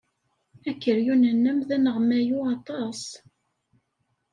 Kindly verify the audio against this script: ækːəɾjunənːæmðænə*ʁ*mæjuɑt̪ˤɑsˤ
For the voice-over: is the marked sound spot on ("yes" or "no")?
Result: yes